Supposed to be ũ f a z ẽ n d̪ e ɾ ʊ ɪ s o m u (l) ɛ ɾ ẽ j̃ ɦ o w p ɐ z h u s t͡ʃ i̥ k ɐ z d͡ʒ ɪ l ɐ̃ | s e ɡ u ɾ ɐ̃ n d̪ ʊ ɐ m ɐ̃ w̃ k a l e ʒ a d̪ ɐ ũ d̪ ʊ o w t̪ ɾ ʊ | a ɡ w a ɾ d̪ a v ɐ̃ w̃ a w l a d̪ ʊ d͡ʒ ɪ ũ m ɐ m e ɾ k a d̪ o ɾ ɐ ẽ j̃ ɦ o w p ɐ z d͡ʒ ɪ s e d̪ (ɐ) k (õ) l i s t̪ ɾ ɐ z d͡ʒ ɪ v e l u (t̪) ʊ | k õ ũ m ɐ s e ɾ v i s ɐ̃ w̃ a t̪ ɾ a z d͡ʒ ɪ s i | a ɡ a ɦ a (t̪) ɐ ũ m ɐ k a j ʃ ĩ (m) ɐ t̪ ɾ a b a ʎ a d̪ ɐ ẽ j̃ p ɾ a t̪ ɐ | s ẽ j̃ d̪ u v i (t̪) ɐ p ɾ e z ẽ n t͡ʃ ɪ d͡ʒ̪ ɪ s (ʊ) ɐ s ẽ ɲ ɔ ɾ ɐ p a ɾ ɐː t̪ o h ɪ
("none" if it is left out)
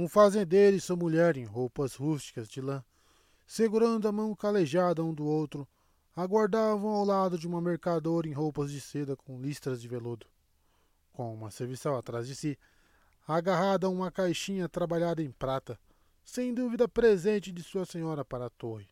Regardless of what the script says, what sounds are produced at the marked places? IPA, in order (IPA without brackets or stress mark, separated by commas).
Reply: ʎ, ɐ, õ, d̪, d̪, ɲ, d̪, u